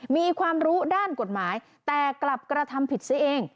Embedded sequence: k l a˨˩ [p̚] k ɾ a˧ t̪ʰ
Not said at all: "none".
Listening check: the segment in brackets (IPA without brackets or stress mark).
p̚